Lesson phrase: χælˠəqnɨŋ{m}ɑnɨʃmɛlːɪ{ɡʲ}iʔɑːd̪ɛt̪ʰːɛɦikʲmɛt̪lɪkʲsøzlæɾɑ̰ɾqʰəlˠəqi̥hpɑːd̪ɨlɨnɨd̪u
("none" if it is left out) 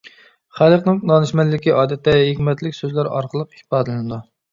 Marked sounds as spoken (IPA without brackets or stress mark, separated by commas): n, kʲ